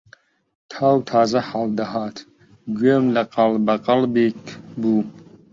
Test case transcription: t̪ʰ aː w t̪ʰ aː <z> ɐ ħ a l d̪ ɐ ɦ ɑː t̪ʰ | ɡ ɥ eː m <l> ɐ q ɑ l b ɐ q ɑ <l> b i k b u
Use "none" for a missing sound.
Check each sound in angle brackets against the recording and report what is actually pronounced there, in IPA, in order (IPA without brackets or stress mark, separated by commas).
z, l, l